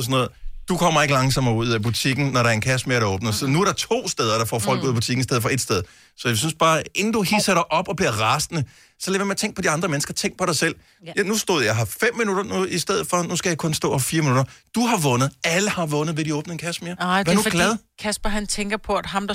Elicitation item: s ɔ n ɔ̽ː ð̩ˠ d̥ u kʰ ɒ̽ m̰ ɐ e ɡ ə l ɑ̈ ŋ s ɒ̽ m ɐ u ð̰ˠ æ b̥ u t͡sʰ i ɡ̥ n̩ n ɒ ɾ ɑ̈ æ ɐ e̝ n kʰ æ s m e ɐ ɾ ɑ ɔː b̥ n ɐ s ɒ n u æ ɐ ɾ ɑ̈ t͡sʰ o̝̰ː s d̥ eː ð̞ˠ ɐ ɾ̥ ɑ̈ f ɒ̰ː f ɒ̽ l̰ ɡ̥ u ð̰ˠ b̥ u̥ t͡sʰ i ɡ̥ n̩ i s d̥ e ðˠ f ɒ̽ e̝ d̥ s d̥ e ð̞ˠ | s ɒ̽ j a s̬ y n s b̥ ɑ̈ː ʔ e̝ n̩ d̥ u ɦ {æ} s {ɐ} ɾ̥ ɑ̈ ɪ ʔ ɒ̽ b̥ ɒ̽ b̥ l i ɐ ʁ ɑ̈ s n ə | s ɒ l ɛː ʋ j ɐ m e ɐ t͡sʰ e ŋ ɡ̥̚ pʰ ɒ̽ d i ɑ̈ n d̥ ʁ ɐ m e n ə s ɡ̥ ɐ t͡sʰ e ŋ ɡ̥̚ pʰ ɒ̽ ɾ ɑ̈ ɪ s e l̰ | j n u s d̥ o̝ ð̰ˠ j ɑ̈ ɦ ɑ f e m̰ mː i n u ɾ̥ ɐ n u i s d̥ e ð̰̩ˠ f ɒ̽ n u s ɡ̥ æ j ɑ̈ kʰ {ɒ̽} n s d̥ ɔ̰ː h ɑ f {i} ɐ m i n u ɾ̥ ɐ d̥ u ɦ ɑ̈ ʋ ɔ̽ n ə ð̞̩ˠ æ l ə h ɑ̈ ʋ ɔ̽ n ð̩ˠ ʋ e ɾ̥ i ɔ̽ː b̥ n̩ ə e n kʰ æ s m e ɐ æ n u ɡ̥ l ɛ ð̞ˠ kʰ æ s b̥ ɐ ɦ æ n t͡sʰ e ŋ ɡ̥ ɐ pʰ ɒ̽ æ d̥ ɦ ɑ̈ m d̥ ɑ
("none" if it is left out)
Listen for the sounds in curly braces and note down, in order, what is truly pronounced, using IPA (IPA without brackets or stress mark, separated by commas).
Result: i, ɐ, ɔ̽, iː